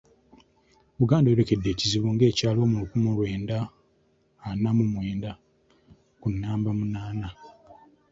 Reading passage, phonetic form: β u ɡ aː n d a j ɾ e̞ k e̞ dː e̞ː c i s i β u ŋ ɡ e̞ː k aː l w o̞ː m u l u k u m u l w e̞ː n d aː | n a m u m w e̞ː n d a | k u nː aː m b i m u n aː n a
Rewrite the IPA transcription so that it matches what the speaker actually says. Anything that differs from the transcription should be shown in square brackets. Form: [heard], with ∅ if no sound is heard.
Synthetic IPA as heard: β u ɡ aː n d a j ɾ e̞ k e̞ dː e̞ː c i [z] i β u ŋ ɡ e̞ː [c] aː l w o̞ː m u l u k u m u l w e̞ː n d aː | n a m u m w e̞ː n d a | k u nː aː m b [a] m u n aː n a